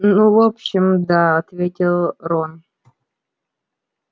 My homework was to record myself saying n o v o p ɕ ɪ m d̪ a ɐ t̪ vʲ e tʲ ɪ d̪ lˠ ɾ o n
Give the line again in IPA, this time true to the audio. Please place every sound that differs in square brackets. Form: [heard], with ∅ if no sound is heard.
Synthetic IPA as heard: n [u] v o p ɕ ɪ m d̪ a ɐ t̪ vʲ e tʲ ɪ [∅] lˠ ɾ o n